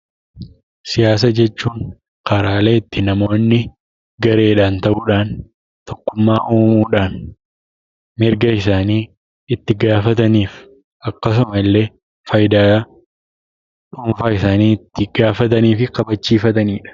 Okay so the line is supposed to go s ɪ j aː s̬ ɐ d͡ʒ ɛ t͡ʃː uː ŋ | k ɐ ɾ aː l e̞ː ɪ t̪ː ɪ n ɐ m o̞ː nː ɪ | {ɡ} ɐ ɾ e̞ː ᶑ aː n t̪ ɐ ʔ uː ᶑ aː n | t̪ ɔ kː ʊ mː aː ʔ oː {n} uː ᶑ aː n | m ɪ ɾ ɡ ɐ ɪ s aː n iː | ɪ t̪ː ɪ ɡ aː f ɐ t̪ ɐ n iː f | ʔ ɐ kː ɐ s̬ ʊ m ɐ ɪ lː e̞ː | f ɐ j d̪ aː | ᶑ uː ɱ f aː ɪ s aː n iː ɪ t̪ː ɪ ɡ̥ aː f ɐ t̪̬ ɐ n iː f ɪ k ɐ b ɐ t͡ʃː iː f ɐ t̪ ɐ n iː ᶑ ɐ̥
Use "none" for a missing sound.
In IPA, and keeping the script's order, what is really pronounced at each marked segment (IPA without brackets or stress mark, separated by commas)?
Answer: ɡ, m